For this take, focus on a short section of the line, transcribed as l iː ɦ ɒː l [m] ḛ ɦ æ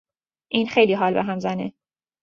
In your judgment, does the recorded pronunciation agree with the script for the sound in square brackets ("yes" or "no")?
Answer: no